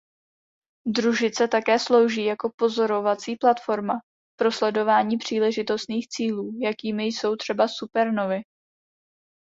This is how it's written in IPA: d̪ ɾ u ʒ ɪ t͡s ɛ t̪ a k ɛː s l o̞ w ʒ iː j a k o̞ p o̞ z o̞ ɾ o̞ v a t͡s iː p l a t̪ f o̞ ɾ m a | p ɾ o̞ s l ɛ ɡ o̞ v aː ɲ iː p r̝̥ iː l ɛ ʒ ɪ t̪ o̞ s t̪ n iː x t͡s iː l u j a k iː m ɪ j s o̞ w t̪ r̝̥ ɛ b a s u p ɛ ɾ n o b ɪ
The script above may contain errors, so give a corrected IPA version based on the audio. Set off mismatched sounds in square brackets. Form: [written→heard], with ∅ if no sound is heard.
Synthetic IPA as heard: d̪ ɾ u ʒ ɪ t͡s ɛ t̪ a k ɛː s l o̞ w ʒ iː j a k o̞ p o̞ z o̞ ɾ o̞ v a t͡s iː p l a t̪ f o̞ ɾ m a | p ɾ o̞ s l ɛ [ɡ→d] o̞ v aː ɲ iː p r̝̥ iː l ɛ ʒ ɪ t̪ o̞ s t̪ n iː x t͡s iː l [u→uː] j a k iː m ɪ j s o̞ w t̪ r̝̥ ɛ b a s u p ɛ ɾ n o [b→v] ɪ